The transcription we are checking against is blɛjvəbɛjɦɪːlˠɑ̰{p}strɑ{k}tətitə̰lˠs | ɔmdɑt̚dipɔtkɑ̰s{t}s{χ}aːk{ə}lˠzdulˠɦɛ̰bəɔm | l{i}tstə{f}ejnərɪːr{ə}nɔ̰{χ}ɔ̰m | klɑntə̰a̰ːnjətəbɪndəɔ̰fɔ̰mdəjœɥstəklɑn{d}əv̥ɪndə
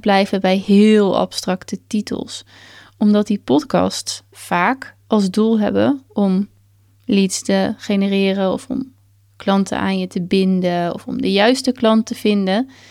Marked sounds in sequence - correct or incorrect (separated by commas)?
correct, correct, correct, incorrect, incorrect, correct, incorrect, correct, incorrect, incorrect